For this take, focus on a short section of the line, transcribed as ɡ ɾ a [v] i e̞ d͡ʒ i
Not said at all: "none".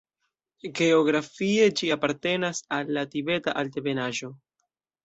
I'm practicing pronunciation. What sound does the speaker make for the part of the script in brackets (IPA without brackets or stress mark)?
f